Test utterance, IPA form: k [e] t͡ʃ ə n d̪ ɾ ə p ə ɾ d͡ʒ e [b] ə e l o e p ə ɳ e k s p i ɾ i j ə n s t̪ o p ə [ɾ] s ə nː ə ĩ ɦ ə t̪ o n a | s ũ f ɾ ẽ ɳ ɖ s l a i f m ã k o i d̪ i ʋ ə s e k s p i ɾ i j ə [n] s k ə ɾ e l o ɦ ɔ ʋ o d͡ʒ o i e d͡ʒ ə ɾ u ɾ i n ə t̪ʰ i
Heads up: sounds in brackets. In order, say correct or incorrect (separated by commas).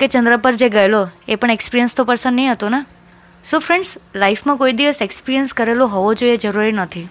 correct, incorrect, correct, correct